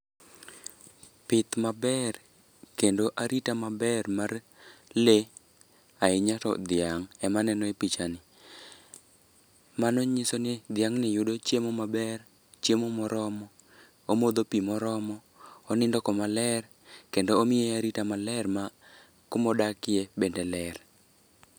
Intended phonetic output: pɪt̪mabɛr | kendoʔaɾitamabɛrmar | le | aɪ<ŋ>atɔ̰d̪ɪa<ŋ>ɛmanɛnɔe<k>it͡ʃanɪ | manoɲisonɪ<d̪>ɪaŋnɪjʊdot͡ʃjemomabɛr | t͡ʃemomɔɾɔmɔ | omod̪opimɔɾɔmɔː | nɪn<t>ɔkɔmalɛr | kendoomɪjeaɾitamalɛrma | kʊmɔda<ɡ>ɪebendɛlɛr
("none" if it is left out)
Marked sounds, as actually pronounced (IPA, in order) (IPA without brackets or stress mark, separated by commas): ɲ, ŋ, p, d̪, d, k